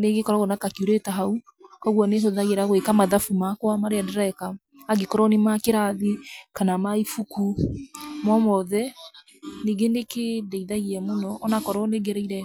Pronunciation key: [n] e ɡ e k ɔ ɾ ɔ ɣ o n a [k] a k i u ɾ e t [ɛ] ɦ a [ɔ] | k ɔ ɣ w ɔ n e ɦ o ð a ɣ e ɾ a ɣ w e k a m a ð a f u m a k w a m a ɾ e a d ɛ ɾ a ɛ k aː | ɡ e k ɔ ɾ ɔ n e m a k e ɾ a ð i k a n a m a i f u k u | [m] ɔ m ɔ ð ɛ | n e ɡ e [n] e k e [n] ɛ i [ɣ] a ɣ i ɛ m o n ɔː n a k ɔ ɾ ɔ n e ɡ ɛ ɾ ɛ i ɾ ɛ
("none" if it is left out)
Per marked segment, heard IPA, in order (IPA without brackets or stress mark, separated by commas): n, k, a, u, m, n, d, ð